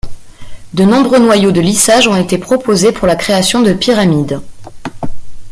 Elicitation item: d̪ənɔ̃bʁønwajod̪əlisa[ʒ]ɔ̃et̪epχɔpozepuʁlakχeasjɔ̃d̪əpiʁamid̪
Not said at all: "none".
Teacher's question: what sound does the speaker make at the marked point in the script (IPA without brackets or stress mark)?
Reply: ʒ